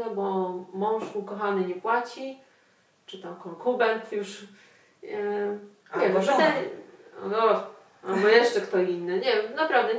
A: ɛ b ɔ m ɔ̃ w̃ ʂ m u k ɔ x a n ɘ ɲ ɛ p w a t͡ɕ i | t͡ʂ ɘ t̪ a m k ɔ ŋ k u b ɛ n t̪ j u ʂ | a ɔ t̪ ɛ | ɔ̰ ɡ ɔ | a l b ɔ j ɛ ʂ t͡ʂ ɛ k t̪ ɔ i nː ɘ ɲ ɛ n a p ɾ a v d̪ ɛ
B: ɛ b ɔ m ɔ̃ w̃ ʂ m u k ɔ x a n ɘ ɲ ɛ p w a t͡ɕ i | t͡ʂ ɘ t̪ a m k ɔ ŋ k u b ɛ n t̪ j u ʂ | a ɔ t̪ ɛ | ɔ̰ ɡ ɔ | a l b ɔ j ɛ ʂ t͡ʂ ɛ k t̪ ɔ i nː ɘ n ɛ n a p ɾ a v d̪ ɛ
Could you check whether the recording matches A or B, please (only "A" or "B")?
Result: A